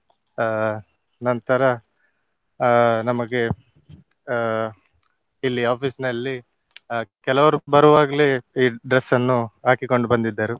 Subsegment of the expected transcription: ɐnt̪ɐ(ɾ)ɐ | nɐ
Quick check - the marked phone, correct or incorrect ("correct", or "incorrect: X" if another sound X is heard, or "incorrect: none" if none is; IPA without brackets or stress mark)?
correct